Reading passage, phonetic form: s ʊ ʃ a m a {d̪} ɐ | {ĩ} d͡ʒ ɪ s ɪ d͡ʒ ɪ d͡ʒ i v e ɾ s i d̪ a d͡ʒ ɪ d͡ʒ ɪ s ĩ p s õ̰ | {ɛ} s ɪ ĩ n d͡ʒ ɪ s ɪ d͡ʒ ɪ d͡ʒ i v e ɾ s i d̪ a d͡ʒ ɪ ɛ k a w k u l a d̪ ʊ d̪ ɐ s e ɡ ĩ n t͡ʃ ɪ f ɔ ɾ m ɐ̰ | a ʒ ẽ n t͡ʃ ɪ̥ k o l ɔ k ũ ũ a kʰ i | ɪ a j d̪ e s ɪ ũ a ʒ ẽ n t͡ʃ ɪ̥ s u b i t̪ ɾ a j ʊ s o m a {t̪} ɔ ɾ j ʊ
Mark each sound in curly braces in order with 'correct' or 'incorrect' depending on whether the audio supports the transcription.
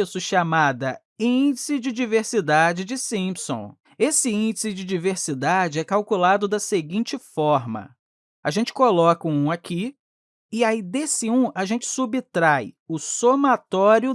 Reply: correct, correct, incorrect: e, correct

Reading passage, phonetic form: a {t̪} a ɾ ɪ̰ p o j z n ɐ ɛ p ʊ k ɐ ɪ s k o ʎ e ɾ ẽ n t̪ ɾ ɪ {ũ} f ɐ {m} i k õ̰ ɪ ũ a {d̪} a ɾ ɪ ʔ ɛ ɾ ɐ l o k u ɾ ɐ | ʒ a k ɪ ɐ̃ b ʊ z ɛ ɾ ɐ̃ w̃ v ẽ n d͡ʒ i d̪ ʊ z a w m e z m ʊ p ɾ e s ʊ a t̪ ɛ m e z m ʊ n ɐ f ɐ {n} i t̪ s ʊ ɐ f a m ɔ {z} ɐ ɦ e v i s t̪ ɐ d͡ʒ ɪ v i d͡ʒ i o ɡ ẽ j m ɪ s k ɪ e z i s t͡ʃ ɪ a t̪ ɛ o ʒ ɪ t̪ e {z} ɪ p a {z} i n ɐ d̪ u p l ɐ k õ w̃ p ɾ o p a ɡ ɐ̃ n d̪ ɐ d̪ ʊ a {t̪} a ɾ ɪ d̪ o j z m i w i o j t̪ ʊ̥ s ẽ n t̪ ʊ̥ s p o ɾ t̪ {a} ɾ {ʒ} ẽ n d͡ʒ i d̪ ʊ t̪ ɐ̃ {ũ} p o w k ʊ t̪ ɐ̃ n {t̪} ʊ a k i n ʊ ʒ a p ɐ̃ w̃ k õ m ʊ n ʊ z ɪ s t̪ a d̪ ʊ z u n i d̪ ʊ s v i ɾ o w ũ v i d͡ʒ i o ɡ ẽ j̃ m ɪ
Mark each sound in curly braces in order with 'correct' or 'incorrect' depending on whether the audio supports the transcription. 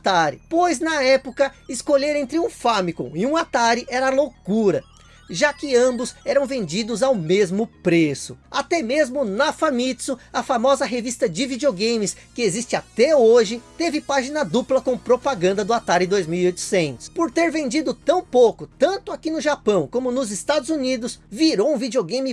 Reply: correct, correct, correct, incorrect: t̪, incorrect: m, correct, incorrect: v, incorrect: ʒ, correct, incorrect: e, incorrect: v, incorrect: w̃, correct

